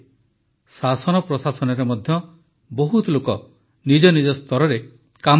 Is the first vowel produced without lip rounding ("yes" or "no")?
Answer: yes